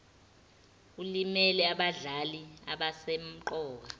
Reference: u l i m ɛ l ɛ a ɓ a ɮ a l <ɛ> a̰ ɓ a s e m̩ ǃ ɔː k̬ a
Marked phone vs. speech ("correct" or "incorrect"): incorrect